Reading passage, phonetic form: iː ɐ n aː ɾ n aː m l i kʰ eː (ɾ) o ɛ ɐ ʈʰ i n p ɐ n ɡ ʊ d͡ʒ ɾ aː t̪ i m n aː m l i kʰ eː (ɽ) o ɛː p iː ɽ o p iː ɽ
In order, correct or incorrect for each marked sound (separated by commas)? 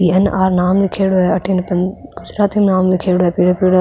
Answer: incorrect, correct